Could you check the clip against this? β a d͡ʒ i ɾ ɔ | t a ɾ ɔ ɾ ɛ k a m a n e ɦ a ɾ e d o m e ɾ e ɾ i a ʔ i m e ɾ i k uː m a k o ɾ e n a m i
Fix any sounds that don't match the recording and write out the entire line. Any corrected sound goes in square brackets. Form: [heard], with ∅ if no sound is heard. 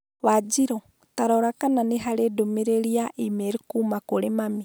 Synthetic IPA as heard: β a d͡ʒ i ɾ ɔ | t a ɾ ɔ ɾ [a] k a [n] a n e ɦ a ɾ e d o m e ɾ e ɾ i a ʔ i m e ɾ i k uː m a k o ɾ e [m] a m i

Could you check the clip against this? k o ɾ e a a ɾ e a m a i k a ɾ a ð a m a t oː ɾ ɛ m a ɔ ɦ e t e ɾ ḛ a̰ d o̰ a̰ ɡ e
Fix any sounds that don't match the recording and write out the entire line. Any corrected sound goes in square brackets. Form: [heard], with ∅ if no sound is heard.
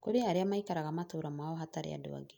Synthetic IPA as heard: k o ɾ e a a ɾ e a m a i k a ɾ a [ɣ] a m a t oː ɾ [a] m a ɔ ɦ [a] t [a] ɾ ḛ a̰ d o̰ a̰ ɡ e

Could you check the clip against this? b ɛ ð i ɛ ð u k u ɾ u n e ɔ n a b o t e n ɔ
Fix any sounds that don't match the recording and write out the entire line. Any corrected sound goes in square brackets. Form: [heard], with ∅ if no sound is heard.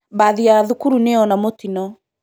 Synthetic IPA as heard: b [a] ð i [a] ð u k u ɾ u n e ɔ n a [m] o t [i] n ɔ

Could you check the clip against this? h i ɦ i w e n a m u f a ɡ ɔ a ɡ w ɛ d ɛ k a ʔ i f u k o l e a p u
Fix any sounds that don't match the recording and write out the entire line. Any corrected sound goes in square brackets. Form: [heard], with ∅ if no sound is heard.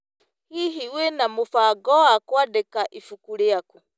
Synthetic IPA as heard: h i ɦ i w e n a m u f a ɡ ɔ a [k] w [a] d ɛ k a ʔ i f u k [u] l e a [k] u

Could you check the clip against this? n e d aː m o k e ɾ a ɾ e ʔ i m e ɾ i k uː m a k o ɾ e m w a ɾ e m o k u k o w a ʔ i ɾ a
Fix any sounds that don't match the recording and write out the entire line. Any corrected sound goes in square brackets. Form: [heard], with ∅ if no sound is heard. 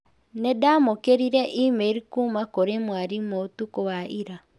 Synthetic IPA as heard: n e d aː m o k e ɾ [i] ɾ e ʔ i m e ɾ i k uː m a k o ɾ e m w a ɾ [i] m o [t] u k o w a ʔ i ɾ a

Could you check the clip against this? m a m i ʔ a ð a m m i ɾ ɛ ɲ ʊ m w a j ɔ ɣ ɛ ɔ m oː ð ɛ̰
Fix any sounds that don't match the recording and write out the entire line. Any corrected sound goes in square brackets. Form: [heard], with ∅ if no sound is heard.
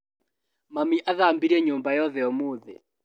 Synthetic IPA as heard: m a m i ʔ a ð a m [b] i ɾ ɛ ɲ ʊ m [b] a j ɔ [ð] ɛ ɔ m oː ð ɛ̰

